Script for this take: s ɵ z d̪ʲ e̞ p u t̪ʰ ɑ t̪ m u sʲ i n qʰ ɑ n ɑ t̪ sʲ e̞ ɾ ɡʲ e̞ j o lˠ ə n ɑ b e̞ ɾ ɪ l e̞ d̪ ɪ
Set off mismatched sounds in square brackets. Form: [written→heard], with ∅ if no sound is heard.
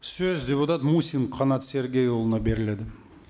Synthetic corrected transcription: s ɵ z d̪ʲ e̞ p u [t̪ʰ→t̪] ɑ t̪ m u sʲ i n qʰ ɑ n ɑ t̪ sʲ e̞ ɾ ɡʲ e̞ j o lˠ ə n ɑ b e̞ ɾ ɪ l e̞ d̪ ɪ

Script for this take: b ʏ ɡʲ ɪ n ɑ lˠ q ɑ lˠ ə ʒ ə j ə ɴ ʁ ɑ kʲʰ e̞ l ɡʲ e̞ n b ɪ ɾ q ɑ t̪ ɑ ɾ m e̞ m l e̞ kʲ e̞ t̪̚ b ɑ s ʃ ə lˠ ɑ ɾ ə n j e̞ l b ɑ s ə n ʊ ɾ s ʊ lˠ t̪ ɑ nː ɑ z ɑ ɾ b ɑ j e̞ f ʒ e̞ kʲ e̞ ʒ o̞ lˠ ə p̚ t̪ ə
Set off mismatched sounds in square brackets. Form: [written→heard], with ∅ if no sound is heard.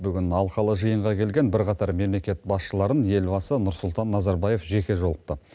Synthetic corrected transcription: b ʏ ɡʲ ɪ n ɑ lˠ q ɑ lˠ ə ʒ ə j ə ɴ ʁ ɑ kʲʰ e̞ l ɡʲ e̞ n b ɪ ɾ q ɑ t̪ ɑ ɾ m e̞ m l e̞ kʲ e̞ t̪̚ b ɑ s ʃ ə lˠ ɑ ɾ ə n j e̞ l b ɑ s ə n ʊ ɾ s ʊ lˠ t̪ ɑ nː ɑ z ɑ ɾ b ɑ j e̞ f ʒ e̞ kʲ e̞ ʒ o̞ lˠ ə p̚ t̪ ə

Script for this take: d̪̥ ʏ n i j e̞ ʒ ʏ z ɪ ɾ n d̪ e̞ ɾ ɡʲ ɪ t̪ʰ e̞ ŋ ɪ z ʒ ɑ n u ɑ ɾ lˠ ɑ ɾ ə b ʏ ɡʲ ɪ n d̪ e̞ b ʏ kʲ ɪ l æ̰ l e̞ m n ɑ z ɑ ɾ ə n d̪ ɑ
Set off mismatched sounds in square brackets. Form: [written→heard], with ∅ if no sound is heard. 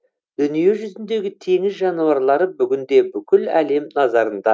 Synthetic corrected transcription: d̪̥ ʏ n i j e̞ ʒ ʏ z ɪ [ɾ→∅] n d̪ e̞ [ɾ→∅] ɡʲ ɪ t̪ʰ e̞ ŋ ɪ z ʒ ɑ n u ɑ ɾ lˠ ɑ ɾ ə b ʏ ɡʲ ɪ n d̪ e̞ b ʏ kʲ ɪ l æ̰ l e̞ m n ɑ z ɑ ɾ ə n d̪ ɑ

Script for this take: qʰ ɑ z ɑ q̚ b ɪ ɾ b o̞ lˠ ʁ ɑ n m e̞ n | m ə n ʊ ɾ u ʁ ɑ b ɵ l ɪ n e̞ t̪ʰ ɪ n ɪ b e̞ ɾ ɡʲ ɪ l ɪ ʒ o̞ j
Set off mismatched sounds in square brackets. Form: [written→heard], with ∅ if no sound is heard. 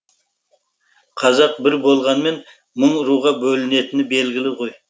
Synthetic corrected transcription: qʰ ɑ z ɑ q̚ b ɪ ɾ b o̞ lˠ ʁ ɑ n m e̞ n | m ə [n→ɴ] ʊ ɾ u ʁ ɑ b ɵ l ɪ n e̞ [t̪ʰ→t̪] ɪ n ɪ b e̞ [ɾ→l] ɡʲ ɪ l ɪ [ʒ→ʁ] o̞ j

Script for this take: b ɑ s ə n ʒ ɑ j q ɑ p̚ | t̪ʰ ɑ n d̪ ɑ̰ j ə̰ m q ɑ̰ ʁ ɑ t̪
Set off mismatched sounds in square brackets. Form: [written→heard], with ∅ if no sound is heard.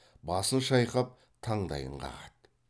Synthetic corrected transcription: b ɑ s ə n [ʒ→ʃ] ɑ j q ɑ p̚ | t̪ʰ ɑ [n→ɴ] d̪ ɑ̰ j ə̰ [m→ɴ] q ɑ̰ ʁ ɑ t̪

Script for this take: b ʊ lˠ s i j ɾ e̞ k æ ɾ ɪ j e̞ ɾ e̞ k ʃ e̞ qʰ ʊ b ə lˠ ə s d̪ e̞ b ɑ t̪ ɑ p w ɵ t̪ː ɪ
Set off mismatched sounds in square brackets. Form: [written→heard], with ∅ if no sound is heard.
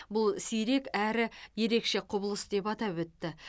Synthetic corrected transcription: b ʊ lˠ s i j ɾ e̞ k æ ɾ ɪ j e̞ ɾ e̞ k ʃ e̞ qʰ ʊ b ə lˠ ə s d̪ e̞ [b→p] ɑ t̪ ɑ p w ɵ t̪ː ɪ

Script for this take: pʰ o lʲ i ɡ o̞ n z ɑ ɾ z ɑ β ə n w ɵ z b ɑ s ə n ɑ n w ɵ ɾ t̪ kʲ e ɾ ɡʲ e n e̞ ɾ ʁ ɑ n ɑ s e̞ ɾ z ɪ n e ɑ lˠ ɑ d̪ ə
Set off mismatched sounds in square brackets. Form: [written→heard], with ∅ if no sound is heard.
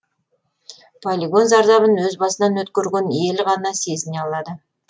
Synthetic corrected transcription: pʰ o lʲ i ɡ o̞ n z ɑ ɾ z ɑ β ə n w ɵ z b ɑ s ə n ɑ n w ɵ [ɾ→∅] t̪ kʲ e ɾ ɡʲ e n e̞ [ɾ→l] ʁ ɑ n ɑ s e̞ [ɾ→∅] z ɪ n e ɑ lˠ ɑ d̪ ə

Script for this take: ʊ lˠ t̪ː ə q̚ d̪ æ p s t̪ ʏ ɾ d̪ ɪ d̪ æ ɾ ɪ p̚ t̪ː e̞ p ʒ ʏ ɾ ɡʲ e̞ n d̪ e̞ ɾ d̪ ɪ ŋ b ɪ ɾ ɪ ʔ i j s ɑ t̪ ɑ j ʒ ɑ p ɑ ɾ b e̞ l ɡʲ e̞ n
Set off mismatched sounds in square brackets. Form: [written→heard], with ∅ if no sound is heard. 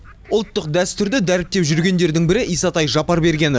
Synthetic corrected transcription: ʊ lˠ t̪ː ə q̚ d̪ æ [p→∅] s t̪ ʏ ɾ d̪ ɪ d̪ æ ɾ ɪ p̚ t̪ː e̞ p ʒ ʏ ɾ ɡʲ e̞ n d̪ e̞ ɾ d̪ ɪ ŋ b ɪ ɾ ɪ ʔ i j s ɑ t̪ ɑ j ʒ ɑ p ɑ ɾ b e̞ [l→ɾ] ɡʲ e̞ n

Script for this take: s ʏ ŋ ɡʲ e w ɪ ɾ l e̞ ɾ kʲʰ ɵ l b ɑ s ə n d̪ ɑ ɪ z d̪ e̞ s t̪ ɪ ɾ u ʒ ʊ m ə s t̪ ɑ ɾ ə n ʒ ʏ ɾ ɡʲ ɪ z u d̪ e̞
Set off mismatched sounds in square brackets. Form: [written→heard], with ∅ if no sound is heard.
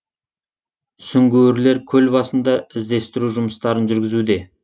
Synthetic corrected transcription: s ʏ ŋ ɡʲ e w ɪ ɾ l e̞ ɾ kʲʰ ɵ l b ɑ s ə n d̪ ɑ ɪ z d̪ e̞ s t̪ ɪ ɾ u ʒ ʊ m ə s t̪ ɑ ɾ ə n ʒ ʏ ɾ ɡʲ ɪ z u d̪ e̞

